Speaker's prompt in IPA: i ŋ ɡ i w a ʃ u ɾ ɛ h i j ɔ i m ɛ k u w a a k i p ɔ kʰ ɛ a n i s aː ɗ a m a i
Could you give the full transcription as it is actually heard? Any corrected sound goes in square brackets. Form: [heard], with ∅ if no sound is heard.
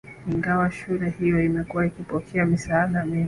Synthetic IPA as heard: i ŋ ɡ [a] w a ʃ u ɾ ɛ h i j ɔ i m ɛ k u w a [i] k i p ɔ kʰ ɛ a [m] i s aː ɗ a m [i] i